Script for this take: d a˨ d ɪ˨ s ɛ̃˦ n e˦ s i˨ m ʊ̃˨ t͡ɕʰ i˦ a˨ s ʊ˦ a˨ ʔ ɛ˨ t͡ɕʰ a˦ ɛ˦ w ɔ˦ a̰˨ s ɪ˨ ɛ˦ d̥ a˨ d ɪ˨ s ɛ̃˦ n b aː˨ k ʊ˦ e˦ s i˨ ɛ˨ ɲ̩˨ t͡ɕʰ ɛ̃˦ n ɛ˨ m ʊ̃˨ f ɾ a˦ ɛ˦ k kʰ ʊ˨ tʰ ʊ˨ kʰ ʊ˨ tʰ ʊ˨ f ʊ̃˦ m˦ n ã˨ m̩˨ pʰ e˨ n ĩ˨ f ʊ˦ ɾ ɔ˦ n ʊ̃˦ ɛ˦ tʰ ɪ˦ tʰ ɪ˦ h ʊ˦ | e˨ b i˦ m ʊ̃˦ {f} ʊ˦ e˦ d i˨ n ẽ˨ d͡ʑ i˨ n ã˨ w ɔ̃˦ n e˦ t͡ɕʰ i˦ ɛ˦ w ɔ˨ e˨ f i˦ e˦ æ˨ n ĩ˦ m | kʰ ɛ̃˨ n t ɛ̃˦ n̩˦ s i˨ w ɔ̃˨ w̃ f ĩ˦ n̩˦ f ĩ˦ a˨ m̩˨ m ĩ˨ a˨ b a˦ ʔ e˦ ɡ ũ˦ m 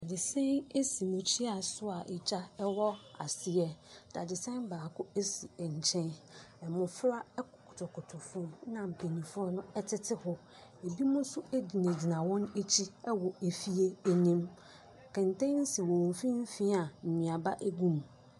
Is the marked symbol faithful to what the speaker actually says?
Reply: no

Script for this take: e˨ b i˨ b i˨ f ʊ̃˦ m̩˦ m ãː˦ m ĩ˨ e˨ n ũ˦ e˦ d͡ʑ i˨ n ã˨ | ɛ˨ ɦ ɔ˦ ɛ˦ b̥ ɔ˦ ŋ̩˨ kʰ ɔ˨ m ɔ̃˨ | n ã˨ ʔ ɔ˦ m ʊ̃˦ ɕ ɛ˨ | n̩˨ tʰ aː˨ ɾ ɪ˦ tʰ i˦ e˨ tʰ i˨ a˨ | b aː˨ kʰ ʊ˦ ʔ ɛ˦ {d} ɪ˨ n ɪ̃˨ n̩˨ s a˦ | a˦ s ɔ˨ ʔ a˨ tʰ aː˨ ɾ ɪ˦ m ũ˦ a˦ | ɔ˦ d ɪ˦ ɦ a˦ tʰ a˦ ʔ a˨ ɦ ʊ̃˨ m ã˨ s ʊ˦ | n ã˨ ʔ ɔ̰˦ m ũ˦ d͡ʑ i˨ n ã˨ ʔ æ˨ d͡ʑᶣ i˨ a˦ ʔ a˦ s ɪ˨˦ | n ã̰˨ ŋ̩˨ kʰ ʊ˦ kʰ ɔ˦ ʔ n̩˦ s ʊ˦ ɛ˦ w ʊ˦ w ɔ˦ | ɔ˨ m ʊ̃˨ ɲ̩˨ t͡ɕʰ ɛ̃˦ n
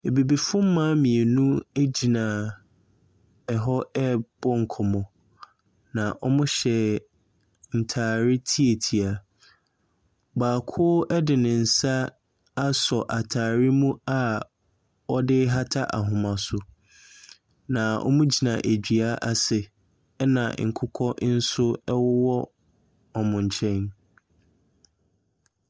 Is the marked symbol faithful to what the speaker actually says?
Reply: yes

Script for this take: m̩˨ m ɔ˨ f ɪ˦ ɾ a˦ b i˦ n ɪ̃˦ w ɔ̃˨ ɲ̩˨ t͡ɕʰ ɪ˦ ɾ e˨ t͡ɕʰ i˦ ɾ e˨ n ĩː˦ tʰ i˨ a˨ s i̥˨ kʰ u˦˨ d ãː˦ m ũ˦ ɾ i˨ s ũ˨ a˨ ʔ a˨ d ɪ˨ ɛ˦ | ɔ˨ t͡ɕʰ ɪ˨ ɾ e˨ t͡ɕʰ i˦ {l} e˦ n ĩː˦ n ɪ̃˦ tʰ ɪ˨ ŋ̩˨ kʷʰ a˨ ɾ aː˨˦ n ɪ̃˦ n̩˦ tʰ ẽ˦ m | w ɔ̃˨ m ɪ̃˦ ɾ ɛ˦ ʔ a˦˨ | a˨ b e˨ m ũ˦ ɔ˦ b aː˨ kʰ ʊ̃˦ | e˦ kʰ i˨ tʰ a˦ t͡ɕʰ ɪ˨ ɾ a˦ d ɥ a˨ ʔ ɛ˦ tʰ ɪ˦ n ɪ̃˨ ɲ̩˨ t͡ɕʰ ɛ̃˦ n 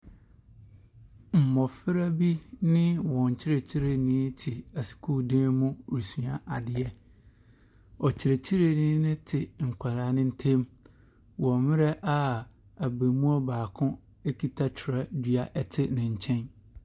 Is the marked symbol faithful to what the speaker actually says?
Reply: no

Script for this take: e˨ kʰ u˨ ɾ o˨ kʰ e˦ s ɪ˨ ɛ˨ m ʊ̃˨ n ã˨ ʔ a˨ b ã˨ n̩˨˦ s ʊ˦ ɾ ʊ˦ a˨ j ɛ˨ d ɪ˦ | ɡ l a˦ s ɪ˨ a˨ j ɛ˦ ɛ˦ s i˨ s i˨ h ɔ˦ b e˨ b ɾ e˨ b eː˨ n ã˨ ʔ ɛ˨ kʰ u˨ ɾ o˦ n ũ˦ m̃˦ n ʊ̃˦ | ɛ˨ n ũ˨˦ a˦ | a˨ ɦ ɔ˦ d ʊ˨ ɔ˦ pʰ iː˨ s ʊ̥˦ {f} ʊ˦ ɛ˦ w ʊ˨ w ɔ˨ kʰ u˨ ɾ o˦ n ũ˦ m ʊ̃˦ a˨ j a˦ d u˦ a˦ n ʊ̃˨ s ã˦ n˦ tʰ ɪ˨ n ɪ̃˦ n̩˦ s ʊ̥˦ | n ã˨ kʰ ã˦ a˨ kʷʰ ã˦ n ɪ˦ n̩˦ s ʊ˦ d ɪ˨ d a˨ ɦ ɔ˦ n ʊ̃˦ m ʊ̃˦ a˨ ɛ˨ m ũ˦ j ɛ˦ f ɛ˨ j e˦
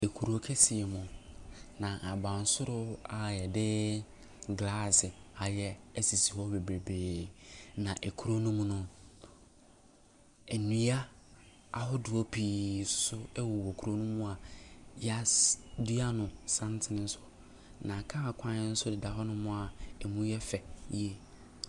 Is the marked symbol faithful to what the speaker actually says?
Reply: no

